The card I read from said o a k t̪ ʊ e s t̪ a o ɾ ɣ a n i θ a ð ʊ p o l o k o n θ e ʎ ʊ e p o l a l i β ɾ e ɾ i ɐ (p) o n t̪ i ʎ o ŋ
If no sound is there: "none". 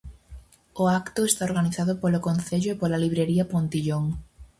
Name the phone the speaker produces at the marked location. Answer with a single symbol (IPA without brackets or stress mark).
p